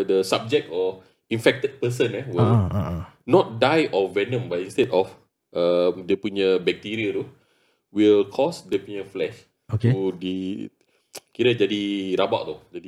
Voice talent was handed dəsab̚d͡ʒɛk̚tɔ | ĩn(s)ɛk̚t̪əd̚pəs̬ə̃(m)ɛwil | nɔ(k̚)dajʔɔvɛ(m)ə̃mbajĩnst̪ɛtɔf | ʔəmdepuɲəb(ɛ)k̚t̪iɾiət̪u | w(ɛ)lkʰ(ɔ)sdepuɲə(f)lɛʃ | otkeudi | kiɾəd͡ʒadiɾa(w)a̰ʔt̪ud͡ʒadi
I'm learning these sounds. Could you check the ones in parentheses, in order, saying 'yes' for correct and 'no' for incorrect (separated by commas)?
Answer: no, no, no, no, yes, no, yes, yes, no